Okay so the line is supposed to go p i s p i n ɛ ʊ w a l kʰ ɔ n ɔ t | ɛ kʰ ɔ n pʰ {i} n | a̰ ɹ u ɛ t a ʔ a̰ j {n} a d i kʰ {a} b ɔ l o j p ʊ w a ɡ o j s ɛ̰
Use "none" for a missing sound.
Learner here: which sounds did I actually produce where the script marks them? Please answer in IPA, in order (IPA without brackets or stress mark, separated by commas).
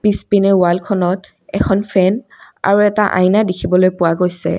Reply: ɛ, n, i